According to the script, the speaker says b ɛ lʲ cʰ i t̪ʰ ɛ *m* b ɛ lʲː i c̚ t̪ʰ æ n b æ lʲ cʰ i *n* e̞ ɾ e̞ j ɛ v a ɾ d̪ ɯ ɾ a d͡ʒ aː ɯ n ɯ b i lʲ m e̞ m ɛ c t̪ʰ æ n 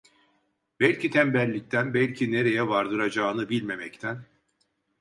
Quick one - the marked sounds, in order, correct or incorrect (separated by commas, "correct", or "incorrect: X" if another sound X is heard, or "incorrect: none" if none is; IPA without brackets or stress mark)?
correct, correct